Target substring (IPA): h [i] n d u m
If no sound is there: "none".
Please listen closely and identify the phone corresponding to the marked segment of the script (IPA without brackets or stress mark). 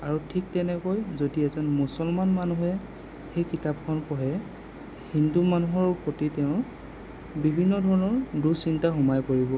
i